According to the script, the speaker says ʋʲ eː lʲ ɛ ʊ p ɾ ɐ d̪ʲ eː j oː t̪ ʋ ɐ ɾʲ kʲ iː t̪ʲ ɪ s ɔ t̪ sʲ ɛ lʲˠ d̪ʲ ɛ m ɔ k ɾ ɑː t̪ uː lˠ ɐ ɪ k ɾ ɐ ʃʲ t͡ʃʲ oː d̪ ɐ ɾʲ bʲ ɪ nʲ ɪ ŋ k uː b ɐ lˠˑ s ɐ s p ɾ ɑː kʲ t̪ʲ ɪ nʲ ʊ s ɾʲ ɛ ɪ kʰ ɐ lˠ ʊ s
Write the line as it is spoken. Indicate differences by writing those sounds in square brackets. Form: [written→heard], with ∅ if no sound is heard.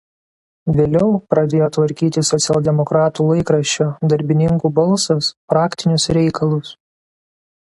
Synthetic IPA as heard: ʋʲ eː lʲ ɛ ʊ p ɾ ɐ d̪ʲ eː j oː t̪ ʋ ɐ ɾʲ kʲ iː t̪ʲ ɪ s ɔ t̪ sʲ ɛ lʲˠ d̪ʲ ɛ m ɔ k ɾ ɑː t̪ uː lˠ ɐ ɪ k ɾ ɐ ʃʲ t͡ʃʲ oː d̪ ɐ ɾʲ bʲ ɪ nʲ ɪ ŋ k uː b ɐ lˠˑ s ɐ s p ɾ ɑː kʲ t̪ʲ ɪ nʲ ʊ s ɾʲ ɛ ɪ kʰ ɐ lˠ ʊ s